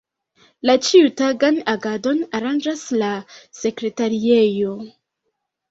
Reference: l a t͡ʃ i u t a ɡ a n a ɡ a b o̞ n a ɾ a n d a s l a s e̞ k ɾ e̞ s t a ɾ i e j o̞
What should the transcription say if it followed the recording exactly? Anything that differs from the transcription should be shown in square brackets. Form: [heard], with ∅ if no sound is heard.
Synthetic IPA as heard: l a t͡ʃ i u t a ɡ a n a ɡ a [d] o̞ n a ɾ a n [d͡ʒ] a s l a s e̞ k ɾ e̞ [∅] t a ɾ i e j o̞